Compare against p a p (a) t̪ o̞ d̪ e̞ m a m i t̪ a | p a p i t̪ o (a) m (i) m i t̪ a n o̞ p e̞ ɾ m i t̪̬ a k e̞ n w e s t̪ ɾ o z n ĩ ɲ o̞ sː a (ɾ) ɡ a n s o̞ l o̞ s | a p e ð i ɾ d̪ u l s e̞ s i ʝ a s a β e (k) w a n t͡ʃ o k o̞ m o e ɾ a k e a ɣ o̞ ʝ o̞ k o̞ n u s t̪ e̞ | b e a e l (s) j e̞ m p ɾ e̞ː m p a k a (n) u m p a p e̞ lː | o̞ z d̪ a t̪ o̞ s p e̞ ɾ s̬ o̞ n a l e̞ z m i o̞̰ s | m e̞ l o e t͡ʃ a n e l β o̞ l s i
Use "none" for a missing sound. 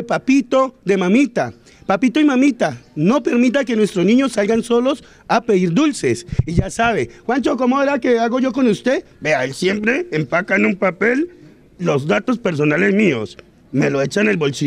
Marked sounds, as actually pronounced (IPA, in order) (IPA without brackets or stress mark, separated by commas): i, i, a, l, x, s, n